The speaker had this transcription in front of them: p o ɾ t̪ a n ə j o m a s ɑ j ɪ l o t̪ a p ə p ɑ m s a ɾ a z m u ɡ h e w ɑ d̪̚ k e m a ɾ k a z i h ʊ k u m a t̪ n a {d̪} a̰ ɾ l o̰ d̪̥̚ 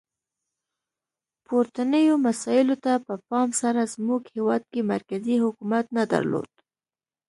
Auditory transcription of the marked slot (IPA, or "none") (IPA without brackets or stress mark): d̪